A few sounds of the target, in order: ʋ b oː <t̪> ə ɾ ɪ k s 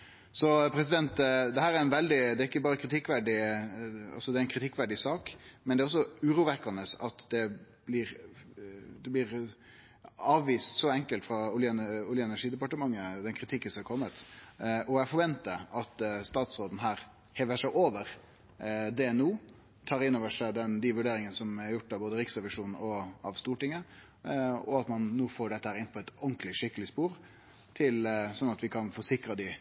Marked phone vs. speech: incorrect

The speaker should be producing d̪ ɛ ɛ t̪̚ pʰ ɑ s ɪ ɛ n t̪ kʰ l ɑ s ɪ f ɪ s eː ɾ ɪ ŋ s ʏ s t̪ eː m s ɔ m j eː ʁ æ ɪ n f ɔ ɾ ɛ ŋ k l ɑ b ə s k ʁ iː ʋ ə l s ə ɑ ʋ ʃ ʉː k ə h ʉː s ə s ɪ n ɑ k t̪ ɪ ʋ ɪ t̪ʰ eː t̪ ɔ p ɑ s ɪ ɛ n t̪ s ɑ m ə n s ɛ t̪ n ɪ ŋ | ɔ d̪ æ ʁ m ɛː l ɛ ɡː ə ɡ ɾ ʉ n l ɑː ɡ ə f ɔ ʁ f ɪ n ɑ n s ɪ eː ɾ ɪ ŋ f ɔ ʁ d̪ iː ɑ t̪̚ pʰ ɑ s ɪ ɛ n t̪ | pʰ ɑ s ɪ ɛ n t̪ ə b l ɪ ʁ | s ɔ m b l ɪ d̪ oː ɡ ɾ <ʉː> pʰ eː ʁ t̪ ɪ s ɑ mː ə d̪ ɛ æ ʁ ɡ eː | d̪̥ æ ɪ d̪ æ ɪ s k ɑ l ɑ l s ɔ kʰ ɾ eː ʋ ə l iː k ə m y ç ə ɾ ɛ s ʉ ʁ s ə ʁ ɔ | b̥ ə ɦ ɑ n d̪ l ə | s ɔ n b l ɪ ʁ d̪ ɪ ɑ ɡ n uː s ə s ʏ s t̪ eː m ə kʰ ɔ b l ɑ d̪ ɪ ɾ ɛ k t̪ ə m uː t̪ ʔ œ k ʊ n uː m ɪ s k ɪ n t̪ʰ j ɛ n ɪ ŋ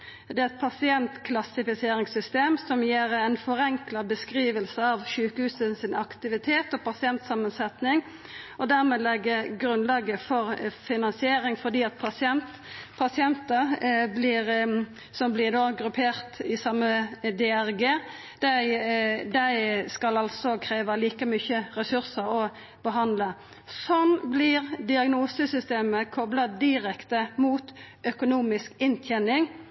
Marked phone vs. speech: incorrect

